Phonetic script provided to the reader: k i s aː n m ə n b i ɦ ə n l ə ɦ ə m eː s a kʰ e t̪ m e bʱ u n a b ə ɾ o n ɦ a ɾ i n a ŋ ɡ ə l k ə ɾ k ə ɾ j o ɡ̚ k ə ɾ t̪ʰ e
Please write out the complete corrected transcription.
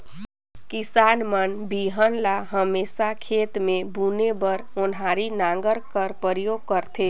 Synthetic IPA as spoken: k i s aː n m ə n b i ɦ ə n l a ɦ ə m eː s a kʰ e t̪ m e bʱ u n e b ə ɾ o n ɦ a ɾ i n a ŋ ɡ ə ɾ k ə ɾ p ə ɾ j o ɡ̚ k ə ɾ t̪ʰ e

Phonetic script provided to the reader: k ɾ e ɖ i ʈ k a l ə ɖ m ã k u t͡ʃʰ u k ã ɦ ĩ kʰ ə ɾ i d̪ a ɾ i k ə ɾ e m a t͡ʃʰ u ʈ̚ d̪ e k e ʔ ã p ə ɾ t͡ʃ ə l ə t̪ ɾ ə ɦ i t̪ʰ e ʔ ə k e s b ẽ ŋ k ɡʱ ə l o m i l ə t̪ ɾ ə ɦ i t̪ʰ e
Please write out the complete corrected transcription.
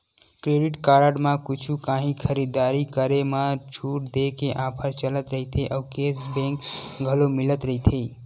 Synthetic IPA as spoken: k ɾ e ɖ i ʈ k a ɾ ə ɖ m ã k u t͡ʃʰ u k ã ɦ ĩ kʰ ə ɾ i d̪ a ɾ i k ə ɾ e m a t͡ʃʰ u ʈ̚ d̪ e k e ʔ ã pʰ ə ɾ t͡ʃ ə l ə t̪ ɾ ə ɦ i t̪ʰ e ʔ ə k e s b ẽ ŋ k ɡʱ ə l o m i l ə t̪ ɾ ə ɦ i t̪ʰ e

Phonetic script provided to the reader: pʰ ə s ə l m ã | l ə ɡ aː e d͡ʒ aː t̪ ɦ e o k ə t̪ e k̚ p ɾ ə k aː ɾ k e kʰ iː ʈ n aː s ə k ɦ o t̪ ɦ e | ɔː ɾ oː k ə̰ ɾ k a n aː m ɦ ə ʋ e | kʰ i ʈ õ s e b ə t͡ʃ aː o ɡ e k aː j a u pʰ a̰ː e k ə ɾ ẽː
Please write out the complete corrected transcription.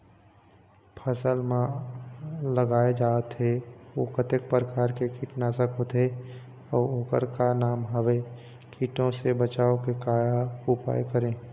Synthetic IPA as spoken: pʰ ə s ə l m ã | l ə ɡ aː e d͡ʒ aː t̪ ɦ e o k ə t̪ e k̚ p ɾ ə k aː ɾ k e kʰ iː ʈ n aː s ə k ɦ o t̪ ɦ e | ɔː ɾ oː k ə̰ ɾ k a n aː m ɦ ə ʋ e | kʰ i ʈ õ s e b ə t͡ʃ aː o k e k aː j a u p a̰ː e k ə ɾ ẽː

